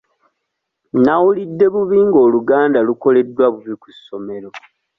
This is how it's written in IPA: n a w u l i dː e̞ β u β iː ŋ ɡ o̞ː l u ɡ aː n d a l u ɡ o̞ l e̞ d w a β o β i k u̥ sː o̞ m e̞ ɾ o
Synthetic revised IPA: n a w u l i dː e̞ β u β iː ŋ ɡ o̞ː l u ɡ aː n d a l u k o̞ l e̞ d w a β u β i k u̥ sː o̞ m e̞ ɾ o